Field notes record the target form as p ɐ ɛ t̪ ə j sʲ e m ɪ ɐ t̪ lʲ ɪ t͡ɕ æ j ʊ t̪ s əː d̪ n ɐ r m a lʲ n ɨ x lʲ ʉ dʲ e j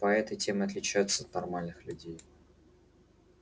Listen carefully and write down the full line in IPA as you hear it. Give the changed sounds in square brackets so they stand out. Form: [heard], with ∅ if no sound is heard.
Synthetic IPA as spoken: p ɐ ɛ t̪ ə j [tʲ] e m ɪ ɐ t̪ lʲ ɪ t͡ɕ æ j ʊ t̪ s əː [t̪] n ɐ r m a lʲ n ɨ x lʲ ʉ dʲ e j